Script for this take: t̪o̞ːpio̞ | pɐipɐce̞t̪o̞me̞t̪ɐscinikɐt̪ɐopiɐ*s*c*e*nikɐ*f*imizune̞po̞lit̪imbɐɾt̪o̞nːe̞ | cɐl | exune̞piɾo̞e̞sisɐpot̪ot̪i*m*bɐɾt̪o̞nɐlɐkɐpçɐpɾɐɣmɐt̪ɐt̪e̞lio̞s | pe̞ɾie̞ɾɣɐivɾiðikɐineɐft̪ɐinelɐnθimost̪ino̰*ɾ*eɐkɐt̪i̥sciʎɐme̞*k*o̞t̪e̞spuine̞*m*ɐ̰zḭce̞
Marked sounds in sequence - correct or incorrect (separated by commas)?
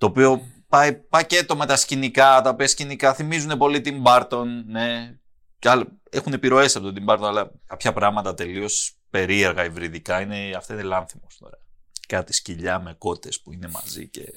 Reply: correct, incorrect, incorrect, correct, correct, correct, correct